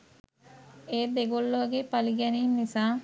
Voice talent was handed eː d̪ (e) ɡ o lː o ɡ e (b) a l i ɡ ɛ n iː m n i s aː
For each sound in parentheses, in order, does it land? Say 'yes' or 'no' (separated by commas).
yes, no